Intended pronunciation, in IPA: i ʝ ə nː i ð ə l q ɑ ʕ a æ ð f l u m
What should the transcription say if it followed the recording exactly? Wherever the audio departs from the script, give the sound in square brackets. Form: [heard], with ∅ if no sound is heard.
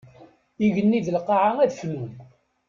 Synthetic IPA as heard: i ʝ ə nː i ð ə l q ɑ ʕ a æ ð f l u m